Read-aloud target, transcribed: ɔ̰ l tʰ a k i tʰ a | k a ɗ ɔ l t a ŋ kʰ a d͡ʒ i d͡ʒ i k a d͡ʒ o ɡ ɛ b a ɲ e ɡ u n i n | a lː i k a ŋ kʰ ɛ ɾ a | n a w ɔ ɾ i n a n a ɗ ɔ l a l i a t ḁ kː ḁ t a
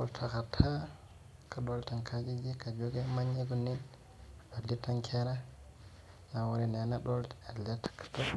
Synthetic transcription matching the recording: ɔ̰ l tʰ a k a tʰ a | k a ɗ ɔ l t a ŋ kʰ a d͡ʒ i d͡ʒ i k a d͡ʒ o ɡ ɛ m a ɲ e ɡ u n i n | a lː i t a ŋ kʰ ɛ ɾ a | n a w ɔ ɾ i n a n a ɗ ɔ l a l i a t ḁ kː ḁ t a